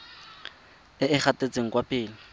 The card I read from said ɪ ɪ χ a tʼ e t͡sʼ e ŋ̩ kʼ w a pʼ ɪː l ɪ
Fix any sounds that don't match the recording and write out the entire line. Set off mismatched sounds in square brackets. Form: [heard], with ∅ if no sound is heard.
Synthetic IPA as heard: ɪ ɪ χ a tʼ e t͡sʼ e ŋ̩ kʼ w a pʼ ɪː l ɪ